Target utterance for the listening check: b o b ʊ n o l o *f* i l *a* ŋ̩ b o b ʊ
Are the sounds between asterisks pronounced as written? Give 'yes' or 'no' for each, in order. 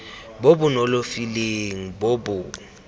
yes, no

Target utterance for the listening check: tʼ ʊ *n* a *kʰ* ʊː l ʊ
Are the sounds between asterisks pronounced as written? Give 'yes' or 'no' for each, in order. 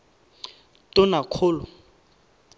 yes, yes

